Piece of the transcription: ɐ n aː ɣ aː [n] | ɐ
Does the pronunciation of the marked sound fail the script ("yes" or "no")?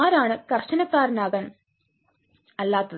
no